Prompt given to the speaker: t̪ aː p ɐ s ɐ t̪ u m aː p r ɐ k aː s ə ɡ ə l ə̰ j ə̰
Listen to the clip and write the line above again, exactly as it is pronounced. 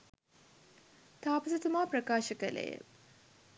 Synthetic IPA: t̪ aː p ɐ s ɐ t̪ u m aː p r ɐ k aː ʃ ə k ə l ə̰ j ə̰

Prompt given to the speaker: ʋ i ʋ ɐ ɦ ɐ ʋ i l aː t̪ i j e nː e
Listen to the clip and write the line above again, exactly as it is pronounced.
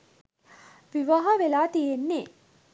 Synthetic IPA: ʋ i ʋ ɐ ɦ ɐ ʋ e l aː t̪ i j e nː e

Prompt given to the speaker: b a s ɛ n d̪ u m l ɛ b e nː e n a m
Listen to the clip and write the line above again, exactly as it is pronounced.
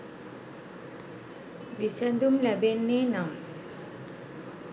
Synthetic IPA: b i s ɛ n d̪ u m l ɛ b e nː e n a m

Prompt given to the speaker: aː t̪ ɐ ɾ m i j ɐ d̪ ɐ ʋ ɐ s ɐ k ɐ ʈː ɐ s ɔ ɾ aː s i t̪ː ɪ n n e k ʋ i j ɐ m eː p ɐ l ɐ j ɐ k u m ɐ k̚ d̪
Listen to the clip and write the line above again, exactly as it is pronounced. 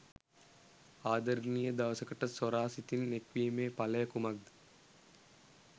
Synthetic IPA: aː d̪ ɐ ɾ n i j ɐ d̪ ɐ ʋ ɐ s ɐ k ɐ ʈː ɐ s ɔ ɾ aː s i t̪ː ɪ n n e k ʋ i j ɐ m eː p ɐ l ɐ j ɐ k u m ɐ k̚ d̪

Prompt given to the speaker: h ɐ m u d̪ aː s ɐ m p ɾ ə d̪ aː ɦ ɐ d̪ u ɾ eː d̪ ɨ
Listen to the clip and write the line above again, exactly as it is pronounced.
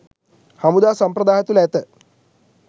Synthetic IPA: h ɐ m u d̪ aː s ɐ m p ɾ ɐ d̪ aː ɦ ɐ t̪ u l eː t̪ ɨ

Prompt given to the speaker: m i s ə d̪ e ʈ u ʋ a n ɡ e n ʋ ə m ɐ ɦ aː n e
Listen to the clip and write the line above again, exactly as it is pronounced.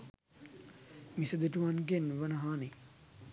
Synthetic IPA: m i s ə d̪ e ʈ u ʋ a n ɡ e n ʋ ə n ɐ ɦ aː n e

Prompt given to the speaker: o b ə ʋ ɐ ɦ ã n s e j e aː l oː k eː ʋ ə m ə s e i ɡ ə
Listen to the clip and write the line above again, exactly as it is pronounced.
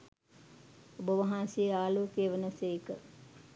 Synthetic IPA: o b ə ʋ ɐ ɦ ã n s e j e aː l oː k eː ʋ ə n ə s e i k ə

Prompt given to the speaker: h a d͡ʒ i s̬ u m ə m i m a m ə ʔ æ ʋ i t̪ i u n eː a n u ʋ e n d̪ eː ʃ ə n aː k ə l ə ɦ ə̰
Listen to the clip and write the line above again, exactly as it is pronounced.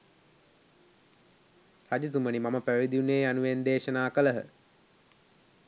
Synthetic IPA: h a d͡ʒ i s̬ u m ə n i m a m ə p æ ʋ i d̪ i u n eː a n u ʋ e n d̪ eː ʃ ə n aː k ə l ə ɦ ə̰

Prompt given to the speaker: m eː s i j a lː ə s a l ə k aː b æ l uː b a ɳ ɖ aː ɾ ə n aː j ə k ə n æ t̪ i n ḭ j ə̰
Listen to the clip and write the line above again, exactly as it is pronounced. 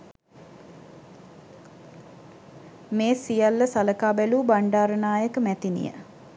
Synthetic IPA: m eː s i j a lː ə s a l ə k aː b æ l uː b a ɳ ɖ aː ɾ ə n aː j ə k ə m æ t̪ i n ḭ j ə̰

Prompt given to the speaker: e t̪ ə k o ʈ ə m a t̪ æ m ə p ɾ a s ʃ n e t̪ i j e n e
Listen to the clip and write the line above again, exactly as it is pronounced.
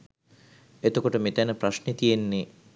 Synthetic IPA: e t̪ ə k o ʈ ə m e t̪ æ n ə p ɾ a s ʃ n e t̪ i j e nː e

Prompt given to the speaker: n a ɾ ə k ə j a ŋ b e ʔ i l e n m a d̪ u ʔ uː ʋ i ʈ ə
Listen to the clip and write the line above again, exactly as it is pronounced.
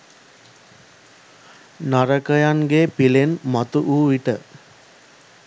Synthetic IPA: n a ɾ ə k ə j a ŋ ɡ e p i l e n m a t̪ u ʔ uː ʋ i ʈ ə

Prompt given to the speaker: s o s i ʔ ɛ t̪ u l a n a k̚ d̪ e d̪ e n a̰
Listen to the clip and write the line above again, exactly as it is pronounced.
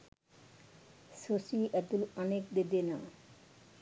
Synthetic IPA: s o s i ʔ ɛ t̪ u l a n e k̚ d̪ e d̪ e n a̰

